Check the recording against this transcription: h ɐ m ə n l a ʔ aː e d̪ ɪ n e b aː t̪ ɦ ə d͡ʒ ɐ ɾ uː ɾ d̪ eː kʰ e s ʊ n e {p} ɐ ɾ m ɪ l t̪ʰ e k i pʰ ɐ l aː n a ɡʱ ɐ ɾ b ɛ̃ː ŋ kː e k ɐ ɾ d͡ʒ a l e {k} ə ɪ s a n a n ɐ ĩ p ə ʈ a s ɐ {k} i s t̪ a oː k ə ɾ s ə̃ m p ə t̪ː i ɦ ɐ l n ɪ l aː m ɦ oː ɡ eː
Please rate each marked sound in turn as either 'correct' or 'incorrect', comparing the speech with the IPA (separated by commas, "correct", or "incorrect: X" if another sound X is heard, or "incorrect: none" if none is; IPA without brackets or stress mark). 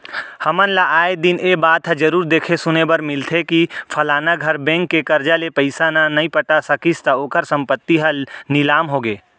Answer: incorrect: b, incorrect: p, correct